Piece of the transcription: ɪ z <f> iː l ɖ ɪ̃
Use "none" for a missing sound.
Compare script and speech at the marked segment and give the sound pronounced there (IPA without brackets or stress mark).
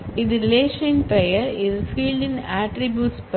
f